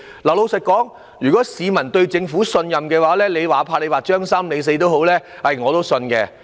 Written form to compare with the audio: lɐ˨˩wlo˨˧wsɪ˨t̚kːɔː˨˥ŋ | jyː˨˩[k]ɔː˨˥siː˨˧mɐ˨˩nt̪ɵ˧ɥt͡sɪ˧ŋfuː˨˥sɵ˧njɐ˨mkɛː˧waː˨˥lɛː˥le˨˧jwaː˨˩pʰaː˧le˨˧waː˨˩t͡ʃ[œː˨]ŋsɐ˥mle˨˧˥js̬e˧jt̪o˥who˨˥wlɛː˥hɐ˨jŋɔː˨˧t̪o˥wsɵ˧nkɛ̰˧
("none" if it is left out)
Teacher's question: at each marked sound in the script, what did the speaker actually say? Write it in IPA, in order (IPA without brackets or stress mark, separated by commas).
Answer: k, œː˥